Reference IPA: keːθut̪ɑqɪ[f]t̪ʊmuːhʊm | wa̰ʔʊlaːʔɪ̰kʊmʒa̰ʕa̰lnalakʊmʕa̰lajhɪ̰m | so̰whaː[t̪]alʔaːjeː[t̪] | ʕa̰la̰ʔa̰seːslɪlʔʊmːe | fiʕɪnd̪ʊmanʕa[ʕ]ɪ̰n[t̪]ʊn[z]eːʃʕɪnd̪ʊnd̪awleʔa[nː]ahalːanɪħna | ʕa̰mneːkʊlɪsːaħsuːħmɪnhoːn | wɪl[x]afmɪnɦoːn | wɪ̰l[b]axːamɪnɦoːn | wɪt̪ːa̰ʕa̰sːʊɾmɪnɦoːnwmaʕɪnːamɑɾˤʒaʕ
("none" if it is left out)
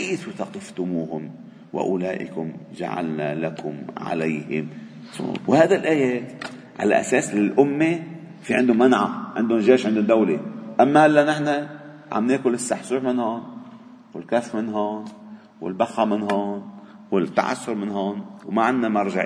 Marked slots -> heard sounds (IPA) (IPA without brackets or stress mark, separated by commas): f, d̪, t̪, ʕ, d̪, ʒ, mː, k, b